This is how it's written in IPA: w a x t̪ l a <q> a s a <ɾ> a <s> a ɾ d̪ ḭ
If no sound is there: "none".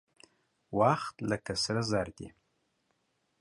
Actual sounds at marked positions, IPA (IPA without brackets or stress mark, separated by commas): k, ɾ, z